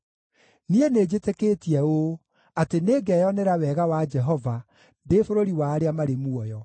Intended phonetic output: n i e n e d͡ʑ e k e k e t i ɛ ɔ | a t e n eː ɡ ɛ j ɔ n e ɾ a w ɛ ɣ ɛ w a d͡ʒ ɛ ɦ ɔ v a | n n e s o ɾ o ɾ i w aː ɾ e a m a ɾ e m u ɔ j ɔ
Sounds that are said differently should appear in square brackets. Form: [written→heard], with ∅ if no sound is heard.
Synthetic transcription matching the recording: n i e n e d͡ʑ e [k→t] e k e t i ɛ [ɔ→o] | a t e n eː ɡ ɛ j ɔ n e ɾ a w ɛ ɣ [ɛ→a] w a d͡ʒ ɛ ɦ ɔ v a | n [n→d] e [s→f] o ɾ o ɾ i w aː ɾ e a m a ɾ e m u ɔ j ɔ